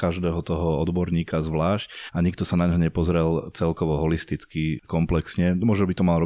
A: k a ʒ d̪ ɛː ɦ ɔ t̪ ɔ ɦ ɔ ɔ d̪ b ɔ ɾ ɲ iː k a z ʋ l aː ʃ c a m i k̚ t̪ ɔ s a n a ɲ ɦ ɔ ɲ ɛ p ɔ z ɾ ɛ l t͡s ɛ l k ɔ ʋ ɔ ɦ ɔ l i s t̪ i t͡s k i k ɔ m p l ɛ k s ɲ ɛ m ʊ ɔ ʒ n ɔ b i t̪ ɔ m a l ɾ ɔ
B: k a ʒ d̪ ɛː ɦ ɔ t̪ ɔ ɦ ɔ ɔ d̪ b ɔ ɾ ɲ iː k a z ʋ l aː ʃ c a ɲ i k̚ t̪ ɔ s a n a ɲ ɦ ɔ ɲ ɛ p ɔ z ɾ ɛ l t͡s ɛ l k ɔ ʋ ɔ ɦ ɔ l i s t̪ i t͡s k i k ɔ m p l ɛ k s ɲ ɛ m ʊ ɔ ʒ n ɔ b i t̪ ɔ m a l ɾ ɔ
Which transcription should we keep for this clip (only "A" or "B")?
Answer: B